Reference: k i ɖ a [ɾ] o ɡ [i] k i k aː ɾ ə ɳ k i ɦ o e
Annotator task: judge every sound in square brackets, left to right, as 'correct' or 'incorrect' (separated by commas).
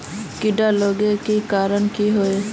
incorrect, incorrect